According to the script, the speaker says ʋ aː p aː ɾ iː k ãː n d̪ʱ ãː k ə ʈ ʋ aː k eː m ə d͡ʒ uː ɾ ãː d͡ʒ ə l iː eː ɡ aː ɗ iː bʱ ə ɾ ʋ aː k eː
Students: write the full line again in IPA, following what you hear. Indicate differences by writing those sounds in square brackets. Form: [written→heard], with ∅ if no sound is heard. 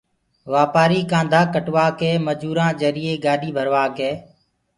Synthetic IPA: ʋ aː p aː ɾ iː k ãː n d̪ʱ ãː k ə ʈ ʋ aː k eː m ə d͡ʒ uː ɾ ãː d͡ʒ ə [l→ɾ] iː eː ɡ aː ɗ iː bʱ ə ɾ ʋ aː k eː